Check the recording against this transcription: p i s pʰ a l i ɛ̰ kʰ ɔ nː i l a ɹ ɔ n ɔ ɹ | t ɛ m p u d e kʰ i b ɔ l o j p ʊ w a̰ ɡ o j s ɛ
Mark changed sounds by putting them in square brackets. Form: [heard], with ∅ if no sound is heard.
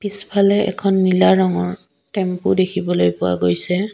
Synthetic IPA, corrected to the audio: p i s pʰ a l [ɛ] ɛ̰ kʰ ɔ nː i l a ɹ ɔ [ŋ] ɔ ɹ | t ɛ m p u d e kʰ i b ɔ l o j p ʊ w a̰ ɡ o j s ɛ